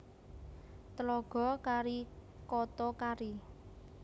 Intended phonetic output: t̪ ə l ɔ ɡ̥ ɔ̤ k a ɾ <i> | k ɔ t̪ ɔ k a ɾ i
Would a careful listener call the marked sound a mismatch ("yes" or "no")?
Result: no